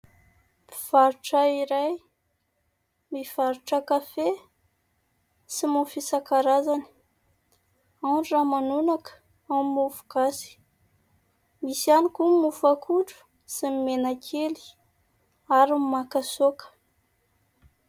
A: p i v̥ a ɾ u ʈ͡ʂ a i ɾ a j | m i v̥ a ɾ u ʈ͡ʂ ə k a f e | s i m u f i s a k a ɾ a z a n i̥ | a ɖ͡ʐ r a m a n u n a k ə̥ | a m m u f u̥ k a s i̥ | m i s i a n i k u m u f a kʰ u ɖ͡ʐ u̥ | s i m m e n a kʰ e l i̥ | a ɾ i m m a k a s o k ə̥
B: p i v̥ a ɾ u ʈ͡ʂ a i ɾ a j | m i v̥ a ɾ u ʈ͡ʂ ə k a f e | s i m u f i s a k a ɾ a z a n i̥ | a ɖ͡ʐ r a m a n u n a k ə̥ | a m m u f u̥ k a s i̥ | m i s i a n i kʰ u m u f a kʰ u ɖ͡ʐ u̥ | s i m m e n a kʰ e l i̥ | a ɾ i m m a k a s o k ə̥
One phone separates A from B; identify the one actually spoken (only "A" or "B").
A